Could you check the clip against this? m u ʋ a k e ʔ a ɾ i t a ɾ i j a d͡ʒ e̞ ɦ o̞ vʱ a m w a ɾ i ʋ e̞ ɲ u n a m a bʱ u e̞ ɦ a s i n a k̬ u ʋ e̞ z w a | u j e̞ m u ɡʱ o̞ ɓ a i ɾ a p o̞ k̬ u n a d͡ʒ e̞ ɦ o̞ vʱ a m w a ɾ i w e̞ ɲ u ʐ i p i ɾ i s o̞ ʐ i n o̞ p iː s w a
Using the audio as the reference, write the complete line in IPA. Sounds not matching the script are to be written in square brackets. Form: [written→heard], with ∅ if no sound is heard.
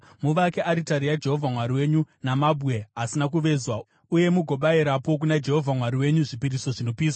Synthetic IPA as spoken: m u ʋ a k e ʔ a ɾ i t a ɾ i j a d͡ʒ e̞ ɦ o̞ vʱ a m w a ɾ i [ʋ→w] e̞ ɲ u n a m a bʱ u e̞ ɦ a s i n a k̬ u ʋ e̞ z w a | u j e̞ m u ɡʱ o̞ ɓ a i ɾ a p o̞ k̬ u n a d͡ʒ e̞ ɦ o̞ vʱ a m w a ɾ i w e̞ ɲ u ʐ i p i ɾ i s o̞ ʐ i n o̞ p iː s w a